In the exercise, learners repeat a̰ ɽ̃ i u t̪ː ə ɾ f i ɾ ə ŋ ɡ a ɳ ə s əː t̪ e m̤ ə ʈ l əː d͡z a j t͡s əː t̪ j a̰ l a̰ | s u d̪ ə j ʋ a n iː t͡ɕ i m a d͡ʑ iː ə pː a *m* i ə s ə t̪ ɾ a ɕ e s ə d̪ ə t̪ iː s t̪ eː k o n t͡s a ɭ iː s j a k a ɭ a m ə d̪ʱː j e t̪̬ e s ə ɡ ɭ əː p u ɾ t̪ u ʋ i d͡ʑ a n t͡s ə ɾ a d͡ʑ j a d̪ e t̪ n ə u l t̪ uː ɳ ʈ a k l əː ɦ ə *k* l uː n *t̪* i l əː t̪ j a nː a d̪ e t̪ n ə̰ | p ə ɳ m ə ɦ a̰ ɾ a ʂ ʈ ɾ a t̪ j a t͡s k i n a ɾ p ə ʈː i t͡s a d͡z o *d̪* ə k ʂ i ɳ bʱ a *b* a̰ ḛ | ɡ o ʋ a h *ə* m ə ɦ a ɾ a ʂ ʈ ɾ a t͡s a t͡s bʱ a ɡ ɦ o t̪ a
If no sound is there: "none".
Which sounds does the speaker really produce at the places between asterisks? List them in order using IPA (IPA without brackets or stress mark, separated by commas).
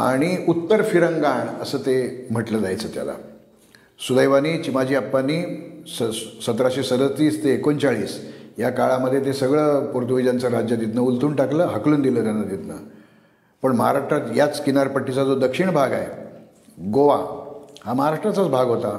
n, k, d̪, d̪, ɡ, a